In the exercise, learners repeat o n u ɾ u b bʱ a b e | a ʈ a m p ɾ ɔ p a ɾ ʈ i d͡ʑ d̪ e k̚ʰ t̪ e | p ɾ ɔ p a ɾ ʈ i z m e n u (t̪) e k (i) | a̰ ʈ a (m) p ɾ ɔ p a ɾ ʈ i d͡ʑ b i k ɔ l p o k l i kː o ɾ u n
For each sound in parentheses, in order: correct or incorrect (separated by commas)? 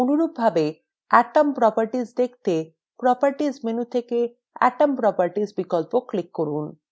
incorrect, incorrect, correct